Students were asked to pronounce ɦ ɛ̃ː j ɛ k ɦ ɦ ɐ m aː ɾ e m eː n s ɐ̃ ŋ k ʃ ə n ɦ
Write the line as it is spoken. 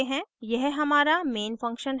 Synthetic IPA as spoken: ɦ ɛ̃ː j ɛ ɦ ɦ ɐ m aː ɾ a m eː n f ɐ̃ ŋ k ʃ ə n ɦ